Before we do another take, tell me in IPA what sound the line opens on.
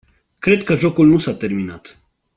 k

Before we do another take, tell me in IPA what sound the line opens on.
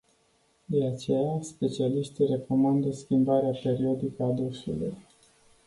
d̪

